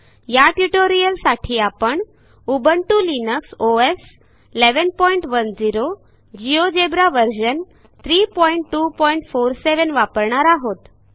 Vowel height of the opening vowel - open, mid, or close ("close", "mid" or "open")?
open